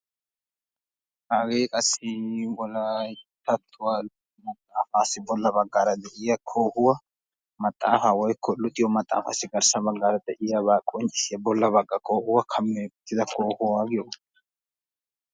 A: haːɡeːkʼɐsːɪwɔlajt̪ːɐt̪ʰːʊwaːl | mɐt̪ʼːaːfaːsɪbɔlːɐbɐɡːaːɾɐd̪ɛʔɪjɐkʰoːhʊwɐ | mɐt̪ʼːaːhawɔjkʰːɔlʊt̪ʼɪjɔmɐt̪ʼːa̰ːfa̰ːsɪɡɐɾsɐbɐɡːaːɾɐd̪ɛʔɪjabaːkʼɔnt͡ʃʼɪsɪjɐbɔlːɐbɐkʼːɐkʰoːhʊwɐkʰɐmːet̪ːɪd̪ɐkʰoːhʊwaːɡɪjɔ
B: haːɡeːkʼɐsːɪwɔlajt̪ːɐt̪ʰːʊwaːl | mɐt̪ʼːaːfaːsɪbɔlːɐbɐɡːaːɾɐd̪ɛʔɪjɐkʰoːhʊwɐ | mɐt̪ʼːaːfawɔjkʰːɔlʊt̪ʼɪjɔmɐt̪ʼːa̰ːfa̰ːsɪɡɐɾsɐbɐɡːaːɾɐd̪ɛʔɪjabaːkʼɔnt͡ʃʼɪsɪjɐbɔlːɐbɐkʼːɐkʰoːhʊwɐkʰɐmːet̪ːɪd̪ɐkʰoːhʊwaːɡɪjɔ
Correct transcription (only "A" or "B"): B